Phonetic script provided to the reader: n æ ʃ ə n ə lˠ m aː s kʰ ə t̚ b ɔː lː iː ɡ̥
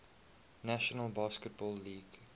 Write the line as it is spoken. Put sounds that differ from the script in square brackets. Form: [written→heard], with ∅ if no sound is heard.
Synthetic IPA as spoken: n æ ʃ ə n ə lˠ [m→b] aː s [kʰ→k] ə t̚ b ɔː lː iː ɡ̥

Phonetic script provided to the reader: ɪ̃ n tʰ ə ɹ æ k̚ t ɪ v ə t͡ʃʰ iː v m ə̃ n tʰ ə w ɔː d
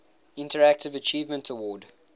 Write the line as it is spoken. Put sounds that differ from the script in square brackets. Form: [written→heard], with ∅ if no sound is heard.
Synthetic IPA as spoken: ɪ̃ n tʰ ə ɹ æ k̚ t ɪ v ə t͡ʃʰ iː v m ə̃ n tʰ ə w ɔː d

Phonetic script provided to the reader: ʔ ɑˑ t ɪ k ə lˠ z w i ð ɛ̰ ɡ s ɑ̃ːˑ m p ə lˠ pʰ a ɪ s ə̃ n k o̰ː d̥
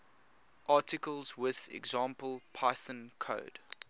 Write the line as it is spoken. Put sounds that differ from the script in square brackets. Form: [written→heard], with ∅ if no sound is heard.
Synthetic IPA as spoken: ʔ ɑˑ t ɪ k ə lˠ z w [i→ɪ] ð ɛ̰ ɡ [s→z] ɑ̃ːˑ m p ə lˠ pʰ a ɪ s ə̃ n [k→kʰ] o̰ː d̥

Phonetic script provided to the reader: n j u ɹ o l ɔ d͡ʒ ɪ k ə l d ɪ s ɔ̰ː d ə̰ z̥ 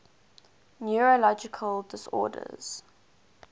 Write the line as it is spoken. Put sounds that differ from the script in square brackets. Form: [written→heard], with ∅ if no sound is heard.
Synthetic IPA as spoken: n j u ɹ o l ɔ d͡ʒ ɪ [k→kʰ] ə l d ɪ s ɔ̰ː d ə̰ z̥

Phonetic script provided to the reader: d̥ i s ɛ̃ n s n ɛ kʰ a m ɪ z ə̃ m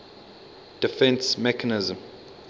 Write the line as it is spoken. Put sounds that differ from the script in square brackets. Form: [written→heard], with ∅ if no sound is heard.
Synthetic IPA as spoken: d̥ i [s→f] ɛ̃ n s [n→m] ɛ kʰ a [m→n] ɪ z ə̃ m

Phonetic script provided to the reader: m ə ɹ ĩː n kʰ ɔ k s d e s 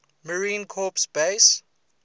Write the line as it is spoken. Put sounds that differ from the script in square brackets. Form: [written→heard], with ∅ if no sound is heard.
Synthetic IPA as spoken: m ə ɹ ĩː n kʰ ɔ [k→p] s [d→b] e s

